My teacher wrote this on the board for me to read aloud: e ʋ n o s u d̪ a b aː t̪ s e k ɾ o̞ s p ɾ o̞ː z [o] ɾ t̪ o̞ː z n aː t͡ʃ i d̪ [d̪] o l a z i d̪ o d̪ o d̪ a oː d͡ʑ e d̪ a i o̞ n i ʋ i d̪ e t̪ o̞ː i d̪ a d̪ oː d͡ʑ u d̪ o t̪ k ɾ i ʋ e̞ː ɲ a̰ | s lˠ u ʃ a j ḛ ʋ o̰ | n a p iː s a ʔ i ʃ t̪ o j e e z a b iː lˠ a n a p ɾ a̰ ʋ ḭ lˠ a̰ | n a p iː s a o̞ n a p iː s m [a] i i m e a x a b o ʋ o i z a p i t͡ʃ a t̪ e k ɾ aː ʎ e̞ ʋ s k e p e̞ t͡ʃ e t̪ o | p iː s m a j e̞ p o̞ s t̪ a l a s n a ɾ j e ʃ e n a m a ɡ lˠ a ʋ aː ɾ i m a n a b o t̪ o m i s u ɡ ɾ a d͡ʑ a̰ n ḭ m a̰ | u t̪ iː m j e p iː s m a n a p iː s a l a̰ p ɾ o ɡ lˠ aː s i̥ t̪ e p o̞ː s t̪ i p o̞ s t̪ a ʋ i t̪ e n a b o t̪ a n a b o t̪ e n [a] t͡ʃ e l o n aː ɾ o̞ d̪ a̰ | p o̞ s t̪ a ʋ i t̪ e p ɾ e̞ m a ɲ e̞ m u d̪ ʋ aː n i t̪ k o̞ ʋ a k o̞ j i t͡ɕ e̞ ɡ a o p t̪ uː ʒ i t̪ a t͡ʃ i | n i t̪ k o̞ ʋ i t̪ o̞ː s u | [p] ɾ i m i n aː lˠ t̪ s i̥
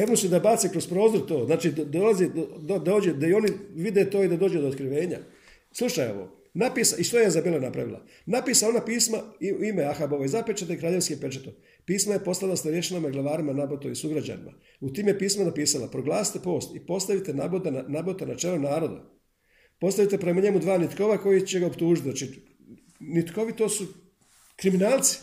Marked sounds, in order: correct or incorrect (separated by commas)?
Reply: correct, correct, correct, correct, incorrect